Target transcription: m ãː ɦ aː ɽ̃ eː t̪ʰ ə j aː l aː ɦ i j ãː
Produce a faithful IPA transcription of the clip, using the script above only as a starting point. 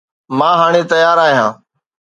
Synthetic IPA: m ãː ɦ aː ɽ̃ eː t̪ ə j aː ɾ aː ɦ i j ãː